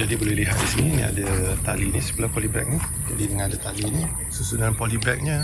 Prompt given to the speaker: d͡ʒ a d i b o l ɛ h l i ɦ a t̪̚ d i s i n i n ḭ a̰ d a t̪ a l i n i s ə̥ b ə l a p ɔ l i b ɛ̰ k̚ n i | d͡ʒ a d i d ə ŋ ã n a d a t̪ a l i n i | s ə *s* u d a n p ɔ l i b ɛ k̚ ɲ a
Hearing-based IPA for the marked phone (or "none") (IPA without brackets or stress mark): s